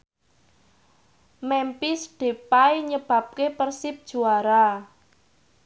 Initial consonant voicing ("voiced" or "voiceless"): voiced